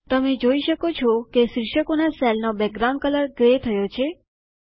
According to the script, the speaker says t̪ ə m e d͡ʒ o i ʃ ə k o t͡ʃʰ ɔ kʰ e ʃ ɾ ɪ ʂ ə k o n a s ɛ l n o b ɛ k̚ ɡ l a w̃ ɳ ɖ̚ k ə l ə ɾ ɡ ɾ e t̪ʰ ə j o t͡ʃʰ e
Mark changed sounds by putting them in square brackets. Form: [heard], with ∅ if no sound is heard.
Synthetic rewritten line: t̪ ə m e d͡ʒ o i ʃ ə k o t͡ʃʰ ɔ [k] e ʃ ɾ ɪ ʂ ə k o n a s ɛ l n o b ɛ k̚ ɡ [ɾ] a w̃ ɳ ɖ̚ k ə l ə ɾ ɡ ɾ e t̪ʰ ə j o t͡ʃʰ e